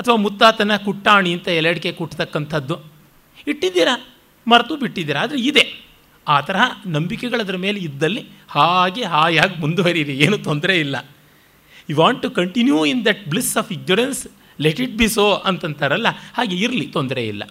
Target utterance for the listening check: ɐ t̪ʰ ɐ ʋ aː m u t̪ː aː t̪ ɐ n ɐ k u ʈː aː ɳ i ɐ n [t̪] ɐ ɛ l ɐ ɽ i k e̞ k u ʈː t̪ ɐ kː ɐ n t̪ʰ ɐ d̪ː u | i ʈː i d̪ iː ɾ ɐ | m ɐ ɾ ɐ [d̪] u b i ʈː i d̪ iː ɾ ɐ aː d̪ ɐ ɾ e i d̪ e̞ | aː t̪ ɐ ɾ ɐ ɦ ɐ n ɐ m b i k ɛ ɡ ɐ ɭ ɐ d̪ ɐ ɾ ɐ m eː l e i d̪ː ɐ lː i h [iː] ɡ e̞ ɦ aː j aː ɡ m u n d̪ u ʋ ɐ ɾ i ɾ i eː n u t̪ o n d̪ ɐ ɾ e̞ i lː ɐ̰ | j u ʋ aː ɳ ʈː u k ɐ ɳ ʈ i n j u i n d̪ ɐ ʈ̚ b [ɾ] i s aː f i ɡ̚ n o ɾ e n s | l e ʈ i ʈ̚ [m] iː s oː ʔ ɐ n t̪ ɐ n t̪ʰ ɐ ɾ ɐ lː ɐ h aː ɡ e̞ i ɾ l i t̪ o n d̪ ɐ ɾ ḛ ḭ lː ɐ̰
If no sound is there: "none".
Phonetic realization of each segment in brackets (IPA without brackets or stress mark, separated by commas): t̪, t̪, aː, l, b